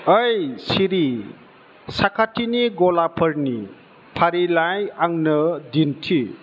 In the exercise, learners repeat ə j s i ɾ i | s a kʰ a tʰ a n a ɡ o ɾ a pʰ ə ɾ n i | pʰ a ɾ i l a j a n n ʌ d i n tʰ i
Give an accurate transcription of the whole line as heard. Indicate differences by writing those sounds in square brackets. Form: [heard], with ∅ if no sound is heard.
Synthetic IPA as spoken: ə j s i ɾ i | s a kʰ a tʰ [i] n [i] ɡ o [l] a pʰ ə ɾ n i | pʰ a ɾ i l a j a [ŋ] n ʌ d i n tʰ i